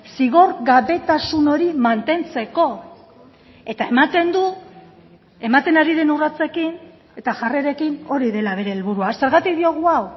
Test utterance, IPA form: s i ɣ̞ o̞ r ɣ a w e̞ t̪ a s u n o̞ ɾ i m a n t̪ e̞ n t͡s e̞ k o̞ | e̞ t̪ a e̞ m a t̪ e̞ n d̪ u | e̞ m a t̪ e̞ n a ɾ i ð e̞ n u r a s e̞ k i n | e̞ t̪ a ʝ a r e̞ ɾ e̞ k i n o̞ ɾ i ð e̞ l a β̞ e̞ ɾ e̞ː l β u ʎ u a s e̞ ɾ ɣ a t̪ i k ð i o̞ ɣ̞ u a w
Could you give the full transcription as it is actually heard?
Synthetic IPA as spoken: s i ɣ̞ o̞ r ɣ a β e̞ t̪ a s u n o̞ ɾ i m a n t̪ e̞ n t͡s e̞ k o̞ | e̞ t̪ a e̞ m a t̪ e̞ n d̪ u | e̞ m a t̪ e̞ n a ɾ i ð e̞ n u r a t͡s e̞ k i n | e̞ t̪ a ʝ a r e̞ ɾ e̞ k i n o̞ ɾ i ð e̞ l a β̞ e̞ ɾ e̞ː l β u ɾ u a s e̞ ɾ ɣ a t̪ i k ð i o̞ ɣ̞ u a w